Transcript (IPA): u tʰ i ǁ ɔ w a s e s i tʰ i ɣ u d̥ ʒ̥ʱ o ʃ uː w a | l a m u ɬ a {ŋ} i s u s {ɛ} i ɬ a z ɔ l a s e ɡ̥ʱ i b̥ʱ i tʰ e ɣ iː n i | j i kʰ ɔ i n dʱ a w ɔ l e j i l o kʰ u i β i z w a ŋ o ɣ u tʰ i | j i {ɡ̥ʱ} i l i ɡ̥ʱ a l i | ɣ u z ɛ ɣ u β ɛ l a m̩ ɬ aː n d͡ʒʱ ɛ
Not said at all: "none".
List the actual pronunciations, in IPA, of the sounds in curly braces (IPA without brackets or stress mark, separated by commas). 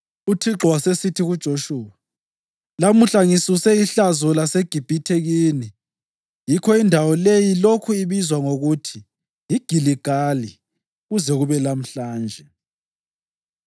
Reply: ŋ, ɛ, ɡ̥ʱ